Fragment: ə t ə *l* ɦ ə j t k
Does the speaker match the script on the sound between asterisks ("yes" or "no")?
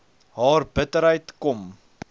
no